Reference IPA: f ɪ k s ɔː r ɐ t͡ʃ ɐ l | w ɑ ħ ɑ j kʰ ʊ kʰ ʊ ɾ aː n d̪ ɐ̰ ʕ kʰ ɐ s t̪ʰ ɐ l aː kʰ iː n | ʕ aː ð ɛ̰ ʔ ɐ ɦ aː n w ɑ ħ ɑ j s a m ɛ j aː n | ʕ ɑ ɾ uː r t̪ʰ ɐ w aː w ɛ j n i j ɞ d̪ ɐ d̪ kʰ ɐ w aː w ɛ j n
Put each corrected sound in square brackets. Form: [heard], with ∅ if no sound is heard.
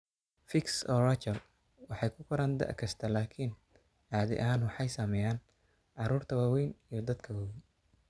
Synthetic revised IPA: f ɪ k s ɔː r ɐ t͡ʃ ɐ l | w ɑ ħ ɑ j kʰ ʊ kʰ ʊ ɾ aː n d̪ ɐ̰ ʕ kʰ ɐ s t̪ʰ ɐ l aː kʰ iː n | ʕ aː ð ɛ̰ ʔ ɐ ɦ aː n w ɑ ħ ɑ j s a m ɛ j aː n | ʕ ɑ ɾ uː r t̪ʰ ɐ w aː w ɛ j n i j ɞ d̪ ɐ d̪ kʰ ɐ w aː w ɛ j n